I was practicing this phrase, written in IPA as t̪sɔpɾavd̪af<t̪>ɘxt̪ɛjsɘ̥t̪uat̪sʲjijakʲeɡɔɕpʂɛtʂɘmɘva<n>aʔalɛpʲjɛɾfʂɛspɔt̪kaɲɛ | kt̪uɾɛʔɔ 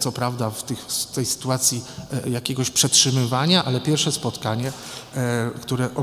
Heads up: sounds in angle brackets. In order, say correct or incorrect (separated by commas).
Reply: correct, incorrect